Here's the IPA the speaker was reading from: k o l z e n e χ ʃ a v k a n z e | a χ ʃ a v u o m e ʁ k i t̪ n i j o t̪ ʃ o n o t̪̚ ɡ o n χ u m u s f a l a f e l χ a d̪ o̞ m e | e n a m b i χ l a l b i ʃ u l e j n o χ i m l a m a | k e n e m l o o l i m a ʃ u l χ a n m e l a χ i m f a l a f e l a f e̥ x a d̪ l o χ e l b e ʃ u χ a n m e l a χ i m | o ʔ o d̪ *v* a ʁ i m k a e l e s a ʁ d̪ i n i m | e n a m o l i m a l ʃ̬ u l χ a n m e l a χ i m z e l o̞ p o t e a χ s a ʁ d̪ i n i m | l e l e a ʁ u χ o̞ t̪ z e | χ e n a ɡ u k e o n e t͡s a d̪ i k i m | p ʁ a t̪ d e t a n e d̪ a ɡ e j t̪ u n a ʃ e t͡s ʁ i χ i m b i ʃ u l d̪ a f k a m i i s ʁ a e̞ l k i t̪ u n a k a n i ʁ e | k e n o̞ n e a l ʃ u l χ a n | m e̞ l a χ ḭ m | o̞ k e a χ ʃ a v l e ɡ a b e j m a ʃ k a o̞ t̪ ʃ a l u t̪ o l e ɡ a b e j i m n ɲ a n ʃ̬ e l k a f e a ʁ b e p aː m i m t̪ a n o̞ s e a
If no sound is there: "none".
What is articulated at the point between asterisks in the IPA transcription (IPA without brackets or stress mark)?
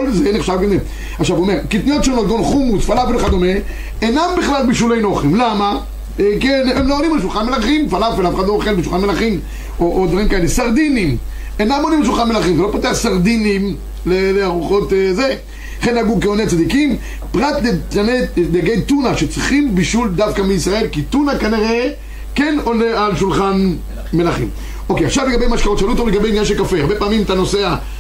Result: v